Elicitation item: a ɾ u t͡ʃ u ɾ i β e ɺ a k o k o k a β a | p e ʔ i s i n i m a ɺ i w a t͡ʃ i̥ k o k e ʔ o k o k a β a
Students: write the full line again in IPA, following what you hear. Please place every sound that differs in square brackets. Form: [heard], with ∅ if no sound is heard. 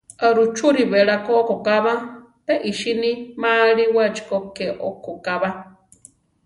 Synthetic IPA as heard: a ɾ u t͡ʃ u ɾ i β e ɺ a k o k o k a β a | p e ʔ i [ʃ] i n i m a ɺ i w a t͡ʃ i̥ k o k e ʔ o k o k a β a